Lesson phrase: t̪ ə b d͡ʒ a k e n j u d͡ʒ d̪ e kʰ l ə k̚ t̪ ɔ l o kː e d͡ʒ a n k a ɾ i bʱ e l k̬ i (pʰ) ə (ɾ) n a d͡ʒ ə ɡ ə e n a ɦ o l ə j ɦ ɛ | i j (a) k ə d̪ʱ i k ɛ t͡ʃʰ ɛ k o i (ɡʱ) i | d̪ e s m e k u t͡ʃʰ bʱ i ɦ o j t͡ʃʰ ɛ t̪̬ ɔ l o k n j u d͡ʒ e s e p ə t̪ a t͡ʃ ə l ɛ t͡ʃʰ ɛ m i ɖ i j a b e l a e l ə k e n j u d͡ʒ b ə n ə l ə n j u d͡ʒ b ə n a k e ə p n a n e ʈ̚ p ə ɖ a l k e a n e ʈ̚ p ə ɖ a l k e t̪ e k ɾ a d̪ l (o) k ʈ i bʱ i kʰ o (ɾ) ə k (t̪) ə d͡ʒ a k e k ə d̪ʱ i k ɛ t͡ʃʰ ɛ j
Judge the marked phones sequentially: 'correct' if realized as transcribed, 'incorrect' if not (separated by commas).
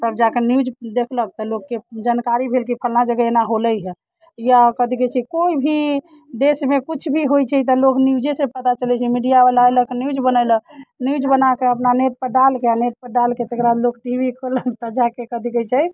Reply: correct, incorrect, correct, incorrect, correct, incorrect, correct